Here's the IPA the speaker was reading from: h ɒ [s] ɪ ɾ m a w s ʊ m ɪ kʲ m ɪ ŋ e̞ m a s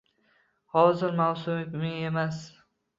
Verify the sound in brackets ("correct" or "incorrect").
incorrect